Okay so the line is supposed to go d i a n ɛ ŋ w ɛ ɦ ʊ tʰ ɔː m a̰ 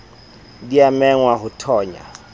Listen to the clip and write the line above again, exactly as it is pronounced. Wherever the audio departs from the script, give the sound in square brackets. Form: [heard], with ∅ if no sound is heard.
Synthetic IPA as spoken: d i a [m] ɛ ŋ w [a] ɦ ʊ tʰ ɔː [ɲ] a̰